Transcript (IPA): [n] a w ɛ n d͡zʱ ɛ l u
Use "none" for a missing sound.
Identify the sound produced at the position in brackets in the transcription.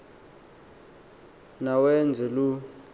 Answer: n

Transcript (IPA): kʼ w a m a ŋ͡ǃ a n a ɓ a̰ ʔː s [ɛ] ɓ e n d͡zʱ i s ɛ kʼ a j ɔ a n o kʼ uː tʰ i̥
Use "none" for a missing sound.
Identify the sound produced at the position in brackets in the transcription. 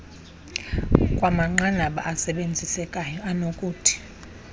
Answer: ɛ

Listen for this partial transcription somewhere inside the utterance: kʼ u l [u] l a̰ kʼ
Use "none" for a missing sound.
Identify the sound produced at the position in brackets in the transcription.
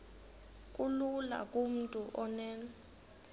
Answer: u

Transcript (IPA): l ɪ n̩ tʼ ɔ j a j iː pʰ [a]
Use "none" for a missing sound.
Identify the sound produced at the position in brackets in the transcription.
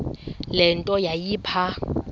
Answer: a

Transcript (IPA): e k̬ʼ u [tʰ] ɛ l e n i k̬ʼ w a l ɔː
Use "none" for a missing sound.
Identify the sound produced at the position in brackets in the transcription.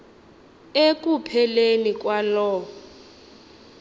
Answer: pʰ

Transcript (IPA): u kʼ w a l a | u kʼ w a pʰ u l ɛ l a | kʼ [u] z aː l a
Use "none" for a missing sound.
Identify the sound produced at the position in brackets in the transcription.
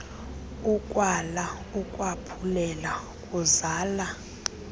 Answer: u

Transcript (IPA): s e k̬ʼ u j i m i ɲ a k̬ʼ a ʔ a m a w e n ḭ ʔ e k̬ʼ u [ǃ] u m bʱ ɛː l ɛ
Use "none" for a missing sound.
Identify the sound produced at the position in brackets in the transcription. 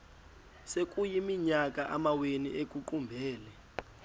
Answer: ǃ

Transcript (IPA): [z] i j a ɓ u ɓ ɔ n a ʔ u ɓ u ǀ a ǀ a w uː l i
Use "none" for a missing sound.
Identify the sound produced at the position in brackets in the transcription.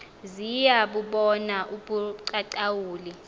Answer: z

